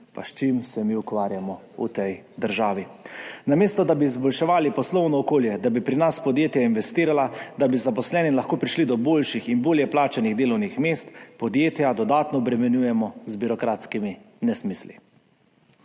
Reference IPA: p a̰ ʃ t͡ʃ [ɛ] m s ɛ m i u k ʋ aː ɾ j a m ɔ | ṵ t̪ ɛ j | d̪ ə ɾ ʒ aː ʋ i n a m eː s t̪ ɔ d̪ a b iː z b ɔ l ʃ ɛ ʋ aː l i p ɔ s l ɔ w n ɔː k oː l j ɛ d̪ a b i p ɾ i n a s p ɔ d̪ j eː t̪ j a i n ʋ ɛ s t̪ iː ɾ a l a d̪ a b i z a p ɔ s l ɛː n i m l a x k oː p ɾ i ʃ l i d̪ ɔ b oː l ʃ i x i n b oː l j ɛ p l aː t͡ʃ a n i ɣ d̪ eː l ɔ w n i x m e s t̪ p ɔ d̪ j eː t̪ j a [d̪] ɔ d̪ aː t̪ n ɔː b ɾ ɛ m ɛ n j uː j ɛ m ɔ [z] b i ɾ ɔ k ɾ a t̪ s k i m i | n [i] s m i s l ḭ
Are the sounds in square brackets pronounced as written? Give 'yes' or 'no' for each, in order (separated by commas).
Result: no, yes, yes, no